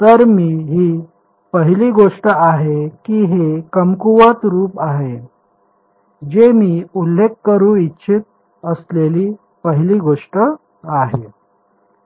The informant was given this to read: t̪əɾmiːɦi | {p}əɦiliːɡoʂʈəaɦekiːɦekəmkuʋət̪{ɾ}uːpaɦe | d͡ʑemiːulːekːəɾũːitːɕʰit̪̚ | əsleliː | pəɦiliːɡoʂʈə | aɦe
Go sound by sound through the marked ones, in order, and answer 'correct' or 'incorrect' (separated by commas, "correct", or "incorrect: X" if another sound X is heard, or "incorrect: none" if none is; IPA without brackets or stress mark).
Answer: correct, correct